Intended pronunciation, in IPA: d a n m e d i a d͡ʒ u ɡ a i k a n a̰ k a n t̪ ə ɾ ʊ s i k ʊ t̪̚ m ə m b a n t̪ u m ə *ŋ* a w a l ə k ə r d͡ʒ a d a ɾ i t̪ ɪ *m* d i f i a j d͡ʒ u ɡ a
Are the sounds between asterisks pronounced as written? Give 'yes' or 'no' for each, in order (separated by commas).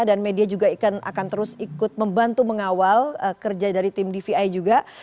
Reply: yes, yes